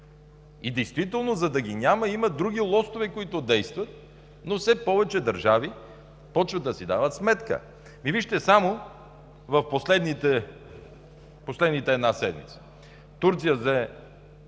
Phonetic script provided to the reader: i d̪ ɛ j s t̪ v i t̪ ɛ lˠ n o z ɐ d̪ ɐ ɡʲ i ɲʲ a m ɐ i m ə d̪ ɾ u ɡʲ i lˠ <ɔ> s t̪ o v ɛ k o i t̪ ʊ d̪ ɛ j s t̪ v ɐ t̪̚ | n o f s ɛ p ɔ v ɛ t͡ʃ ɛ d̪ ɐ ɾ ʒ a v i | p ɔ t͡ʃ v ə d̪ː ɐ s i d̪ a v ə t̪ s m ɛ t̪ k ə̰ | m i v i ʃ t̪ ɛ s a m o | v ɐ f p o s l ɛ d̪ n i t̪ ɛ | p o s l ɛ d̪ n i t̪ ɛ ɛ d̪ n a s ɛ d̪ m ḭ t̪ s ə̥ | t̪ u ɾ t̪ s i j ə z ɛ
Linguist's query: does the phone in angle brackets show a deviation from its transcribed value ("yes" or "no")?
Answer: no